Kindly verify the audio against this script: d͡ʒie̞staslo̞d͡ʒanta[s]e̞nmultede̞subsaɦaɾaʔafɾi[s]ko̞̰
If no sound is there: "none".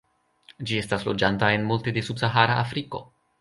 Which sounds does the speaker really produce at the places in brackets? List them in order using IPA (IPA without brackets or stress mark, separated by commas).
none, none